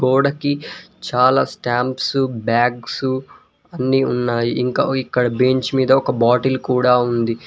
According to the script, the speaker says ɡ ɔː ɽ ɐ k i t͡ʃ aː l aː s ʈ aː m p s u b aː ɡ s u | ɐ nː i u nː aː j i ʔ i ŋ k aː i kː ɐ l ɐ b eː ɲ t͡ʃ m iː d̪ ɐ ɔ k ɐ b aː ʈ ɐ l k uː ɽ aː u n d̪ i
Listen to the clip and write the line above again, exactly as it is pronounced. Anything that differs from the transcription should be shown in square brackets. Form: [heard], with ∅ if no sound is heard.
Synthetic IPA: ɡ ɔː ɽ ɐ k i t͡ʃ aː l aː s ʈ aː m p s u b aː ɡ s u | ɐ nː i u nː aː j i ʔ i ŋ k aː i kː ɐ [ɽ] ɐ b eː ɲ t͡ʃ m iː d̪ ɐ ɔ k ɐ b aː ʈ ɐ l k uː ɽ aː u n d̪ i